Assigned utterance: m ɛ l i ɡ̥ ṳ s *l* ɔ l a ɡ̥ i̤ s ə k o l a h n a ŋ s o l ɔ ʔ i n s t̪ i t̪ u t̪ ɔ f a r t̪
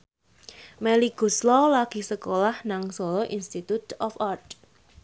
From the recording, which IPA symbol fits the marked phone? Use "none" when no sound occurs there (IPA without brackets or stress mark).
l